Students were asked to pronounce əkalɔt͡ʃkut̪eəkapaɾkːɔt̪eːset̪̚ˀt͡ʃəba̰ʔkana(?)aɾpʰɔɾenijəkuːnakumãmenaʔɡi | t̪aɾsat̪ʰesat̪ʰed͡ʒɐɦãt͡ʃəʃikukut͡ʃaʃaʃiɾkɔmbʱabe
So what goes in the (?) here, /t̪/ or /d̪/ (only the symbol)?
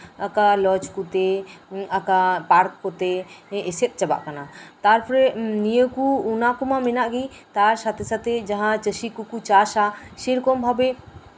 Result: t̪